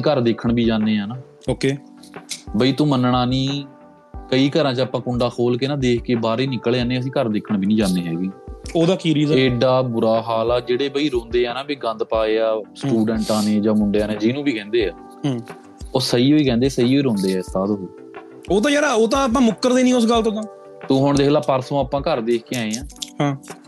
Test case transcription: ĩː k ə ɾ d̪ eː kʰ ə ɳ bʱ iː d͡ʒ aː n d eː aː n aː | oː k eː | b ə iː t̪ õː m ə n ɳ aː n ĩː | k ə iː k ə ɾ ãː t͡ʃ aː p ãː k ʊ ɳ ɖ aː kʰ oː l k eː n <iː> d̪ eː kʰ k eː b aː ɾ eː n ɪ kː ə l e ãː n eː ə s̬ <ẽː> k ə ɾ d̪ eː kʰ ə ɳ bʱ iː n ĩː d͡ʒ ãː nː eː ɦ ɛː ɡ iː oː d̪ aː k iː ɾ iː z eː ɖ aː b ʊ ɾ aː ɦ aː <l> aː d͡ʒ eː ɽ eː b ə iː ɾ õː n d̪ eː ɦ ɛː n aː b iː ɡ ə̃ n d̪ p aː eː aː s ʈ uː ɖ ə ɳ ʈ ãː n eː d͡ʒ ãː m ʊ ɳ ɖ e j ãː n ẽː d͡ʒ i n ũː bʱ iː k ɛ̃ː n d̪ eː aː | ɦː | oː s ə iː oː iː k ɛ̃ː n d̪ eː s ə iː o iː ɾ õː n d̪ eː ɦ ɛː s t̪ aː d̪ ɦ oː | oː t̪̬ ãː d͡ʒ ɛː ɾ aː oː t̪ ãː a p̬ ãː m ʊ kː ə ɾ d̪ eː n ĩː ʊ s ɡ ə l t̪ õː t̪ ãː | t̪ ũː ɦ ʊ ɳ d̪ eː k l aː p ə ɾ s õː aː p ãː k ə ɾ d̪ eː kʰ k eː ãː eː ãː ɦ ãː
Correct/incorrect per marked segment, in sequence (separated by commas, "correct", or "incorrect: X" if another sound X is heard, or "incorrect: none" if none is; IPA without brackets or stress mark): incorrect: aː, incorrect: ĩː, correct